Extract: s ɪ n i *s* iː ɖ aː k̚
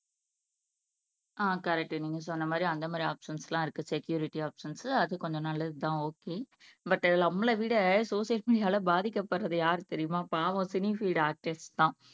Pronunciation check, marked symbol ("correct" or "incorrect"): incorrect